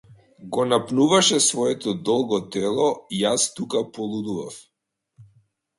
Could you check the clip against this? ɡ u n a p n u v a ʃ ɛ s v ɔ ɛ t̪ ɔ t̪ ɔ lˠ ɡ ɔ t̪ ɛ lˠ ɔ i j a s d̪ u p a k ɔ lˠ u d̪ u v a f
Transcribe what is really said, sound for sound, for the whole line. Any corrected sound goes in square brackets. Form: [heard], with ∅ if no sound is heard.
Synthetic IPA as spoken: ɡ [ɔ] n a p n u v a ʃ ɛ s v ɔ ɛ t̪ ɔ [d̪] ɔ lˠ ɡ ɔ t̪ ɛ lˠ ɔ i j a s [t̪] u [k] a [p] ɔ lˠ u d̪ u v a f